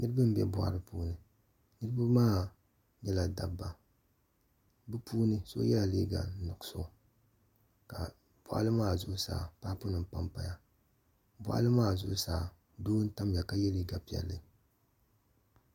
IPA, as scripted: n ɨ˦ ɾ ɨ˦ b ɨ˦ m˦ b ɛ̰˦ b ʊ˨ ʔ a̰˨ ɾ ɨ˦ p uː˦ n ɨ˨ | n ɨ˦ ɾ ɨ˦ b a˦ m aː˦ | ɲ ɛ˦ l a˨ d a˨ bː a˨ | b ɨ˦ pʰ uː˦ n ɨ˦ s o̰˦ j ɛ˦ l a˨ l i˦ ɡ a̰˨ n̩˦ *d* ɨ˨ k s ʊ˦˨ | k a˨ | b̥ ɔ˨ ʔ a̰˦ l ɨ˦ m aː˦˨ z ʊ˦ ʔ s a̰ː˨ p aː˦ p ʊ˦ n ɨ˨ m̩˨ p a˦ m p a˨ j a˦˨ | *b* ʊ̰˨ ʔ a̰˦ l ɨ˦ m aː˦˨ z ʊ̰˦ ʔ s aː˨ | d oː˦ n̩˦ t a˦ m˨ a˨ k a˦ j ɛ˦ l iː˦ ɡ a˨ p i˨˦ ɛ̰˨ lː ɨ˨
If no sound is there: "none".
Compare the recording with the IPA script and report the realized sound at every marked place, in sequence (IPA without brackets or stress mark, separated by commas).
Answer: n, b